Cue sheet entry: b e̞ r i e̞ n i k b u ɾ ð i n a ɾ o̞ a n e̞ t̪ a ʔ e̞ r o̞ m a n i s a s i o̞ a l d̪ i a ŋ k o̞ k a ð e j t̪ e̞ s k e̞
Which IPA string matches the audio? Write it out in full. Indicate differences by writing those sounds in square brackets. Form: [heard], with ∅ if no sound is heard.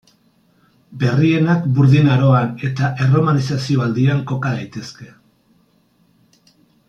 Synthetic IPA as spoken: b e̞ r i e̞ n [a] k b u ɾ ð i n a ɾ o̞ a n e̞ t̪ a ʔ e̞ r o̞ m a n i s a s i o̞ a l d̪ i a ŋ k o̞ k a ð [a] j t̪ e̞ s k e̞